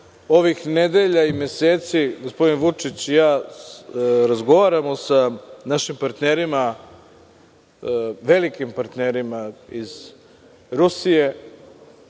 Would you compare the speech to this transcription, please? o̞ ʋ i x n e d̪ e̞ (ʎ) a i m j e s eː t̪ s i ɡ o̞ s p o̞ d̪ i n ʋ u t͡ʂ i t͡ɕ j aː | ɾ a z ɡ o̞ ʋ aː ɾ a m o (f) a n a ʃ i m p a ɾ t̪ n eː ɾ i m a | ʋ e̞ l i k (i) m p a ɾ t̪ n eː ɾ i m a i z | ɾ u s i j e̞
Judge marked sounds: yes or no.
yes, no, yes

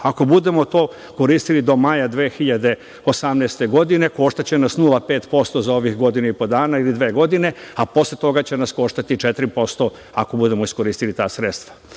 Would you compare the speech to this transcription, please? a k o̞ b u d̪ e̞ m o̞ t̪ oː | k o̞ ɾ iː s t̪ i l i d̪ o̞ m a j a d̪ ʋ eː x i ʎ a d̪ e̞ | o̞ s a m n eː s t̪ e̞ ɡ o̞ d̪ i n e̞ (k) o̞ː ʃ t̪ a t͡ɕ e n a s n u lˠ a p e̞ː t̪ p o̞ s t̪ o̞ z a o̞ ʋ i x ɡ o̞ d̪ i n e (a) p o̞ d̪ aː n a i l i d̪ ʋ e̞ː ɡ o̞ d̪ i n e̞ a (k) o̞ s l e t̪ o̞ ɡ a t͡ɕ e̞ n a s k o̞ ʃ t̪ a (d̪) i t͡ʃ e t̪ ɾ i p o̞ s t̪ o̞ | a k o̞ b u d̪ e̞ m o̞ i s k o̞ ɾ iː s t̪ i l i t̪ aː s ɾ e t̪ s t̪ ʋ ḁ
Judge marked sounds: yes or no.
yes, no, no, no

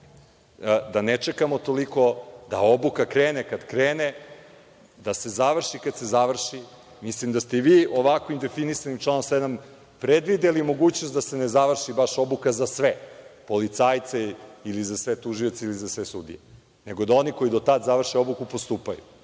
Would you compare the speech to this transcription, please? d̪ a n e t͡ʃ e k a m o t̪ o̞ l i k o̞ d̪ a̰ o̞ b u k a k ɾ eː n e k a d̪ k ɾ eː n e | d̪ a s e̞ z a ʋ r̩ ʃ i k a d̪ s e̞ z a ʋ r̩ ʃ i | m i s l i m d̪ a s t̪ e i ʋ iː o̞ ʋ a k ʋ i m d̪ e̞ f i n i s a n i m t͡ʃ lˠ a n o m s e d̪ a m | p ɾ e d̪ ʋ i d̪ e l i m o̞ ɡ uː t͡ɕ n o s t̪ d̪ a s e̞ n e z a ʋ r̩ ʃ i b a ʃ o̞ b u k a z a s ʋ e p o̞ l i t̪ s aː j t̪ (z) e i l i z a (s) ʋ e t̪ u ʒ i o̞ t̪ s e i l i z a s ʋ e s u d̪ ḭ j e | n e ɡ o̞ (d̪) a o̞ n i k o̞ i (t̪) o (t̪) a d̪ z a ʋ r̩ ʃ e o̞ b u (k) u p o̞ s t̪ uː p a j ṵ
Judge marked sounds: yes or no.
no, yes, yes, no, yes, yes

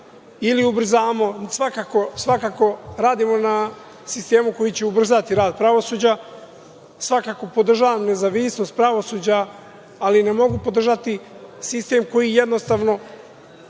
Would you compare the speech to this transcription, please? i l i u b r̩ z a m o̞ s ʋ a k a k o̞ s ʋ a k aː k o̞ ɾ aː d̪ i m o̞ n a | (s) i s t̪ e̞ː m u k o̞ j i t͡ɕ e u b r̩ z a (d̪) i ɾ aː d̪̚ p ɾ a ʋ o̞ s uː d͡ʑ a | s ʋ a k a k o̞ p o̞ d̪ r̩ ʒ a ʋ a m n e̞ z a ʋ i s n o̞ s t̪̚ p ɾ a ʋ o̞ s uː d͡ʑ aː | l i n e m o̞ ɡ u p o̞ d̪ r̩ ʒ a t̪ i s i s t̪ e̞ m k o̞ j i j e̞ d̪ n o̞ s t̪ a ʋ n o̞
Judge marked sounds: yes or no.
yes, no

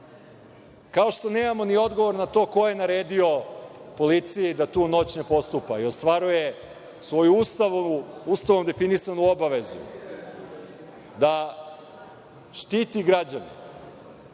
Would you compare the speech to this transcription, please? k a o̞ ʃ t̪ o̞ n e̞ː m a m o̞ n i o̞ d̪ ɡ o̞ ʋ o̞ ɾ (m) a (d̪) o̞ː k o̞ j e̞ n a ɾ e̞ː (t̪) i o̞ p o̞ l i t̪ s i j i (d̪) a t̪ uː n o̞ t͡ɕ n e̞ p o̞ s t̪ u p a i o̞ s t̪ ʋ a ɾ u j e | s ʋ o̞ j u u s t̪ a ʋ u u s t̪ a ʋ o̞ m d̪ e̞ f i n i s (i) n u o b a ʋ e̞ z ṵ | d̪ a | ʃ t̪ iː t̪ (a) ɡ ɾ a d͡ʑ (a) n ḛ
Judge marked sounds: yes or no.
no, no, no, yes, no, no, yes

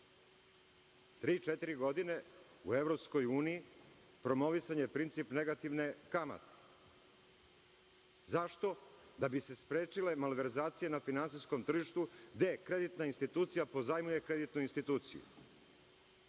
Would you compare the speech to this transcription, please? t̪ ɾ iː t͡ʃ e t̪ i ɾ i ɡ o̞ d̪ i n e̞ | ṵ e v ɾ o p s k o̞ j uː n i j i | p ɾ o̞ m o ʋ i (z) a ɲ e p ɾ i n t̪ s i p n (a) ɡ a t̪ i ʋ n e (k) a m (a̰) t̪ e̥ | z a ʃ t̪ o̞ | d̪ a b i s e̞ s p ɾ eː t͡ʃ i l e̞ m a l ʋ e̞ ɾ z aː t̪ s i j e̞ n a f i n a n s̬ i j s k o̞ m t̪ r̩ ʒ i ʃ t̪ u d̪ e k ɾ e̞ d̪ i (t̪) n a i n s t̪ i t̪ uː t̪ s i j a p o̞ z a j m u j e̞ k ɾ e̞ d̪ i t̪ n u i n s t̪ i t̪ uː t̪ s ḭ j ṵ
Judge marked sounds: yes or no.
no, no, yes, yes, yes

